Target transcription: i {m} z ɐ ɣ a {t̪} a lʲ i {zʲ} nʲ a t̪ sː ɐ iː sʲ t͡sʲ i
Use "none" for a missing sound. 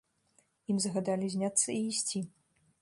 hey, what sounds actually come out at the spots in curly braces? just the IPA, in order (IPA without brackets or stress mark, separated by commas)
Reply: m, d̪, zʲ